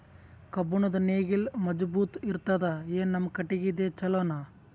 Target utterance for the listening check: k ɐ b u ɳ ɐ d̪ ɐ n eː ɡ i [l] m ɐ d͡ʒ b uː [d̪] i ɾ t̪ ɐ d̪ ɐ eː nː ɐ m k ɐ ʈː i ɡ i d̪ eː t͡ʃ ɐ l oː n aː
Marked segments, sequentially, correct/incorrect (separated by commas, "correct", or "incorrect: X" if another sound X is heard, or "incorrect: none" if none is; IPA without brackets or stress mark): correct, incorrect: t̪